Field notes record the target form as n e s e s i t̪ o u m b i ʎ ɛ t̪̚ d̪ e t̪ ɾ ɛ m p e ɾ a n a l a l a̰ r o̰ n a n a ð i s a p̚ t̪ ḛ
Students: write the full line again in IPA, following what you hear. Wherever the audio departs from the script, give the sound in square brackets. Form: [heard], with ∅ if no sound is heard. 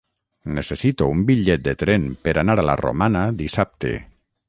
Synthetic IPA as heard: n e s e s i t̪ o u m b i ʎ ɛ t̪̚ d̪ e t̪ ɾ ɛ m p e ɾ a n a [ɾ] a l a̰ r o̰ [m] a n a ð i s a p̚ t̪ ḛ